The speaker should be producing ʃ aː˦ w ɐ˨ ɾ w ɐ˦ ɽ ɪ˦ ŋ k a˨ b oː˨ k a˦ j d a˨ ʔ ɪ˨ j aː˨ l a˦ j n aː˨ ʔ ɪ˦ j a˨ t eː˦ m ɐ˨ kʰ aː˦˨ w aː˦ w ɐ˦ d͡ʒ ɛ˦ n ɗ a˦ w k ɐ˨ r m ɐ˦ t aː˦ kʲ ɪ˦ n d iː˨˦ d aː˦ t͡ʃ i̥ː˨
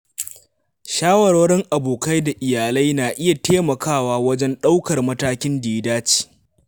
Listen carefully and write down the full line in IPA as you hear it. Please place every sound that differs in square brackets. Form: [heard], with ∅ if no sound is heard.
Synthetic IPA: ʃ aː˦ w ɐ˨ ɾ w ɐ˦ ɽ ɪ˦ ŋ [ʔ] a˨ b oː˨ k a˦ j d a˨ ʔ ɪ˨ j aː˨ l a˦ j n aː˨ ʔ ɪ˦ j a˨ t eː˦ m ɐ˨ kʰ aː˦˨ w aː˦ w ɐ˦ d͡ʒ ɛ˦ n ɗ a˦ w k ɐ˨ r m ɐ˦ t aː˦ kʲ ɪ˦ n d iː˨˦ d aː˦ t͡ʃ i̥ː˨